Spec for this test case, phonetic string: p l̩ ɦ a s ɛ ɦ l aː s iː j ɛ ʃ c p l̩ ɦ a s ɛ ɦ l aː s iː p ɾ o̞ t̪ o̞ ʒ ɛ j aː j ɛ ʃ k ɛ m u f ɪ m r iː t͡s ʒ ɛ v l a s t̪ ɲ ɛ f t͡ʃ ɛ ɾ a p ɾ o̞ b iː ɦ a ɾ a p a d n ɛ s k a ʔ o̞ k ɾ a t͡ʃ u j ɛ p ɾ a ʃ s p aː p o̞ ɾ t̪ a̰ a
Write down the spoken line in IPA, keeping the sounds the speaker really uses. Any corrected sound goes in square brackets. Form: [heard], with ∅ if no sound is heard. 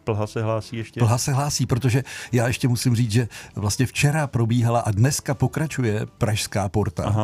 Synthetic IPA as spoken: p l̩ ɦ a s ɛ ɦ l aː s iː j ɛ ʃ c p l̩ ɦ a s ɛ ɦ l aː s iː p ɾ o̞ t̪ o̞ ʒ ɛ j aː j ɛ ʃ [c] ɛ m u [s] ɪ m r iː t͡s ʒ ɛ v l a s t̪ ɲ ɛ f t͡ʃ ɛ ɾ a p ɾ o̞ b iː ɦ a [l] a [ʔ] a d n ɛ s k a [p] o̞ k ɾ a t͡ʃ u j ɛ p ɾ a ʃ s [k] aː p o̞ ɾ t̪ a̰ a